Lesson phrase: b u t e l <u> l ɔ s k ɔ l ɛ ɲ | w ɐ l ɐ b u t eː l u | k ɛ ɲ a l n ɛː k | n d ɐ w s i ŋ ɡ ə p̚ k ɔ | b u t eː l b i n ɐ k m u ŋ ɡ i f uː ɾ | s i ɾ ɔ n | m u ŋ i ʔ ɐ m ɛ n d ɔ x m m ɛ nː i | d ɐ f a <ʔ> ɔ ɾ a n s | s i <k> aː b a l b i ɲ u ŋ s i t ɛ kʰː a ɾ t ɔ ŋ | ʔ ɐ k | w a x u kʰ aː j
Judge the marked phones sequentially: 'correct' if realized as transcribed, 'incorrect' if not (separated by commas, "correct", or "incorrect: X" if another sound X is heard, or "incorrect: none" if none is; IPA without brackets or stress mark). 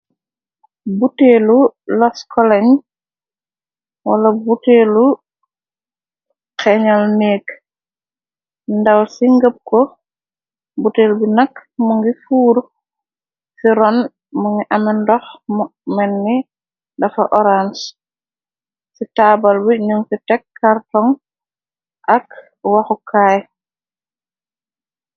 correct, correct, incorrect: t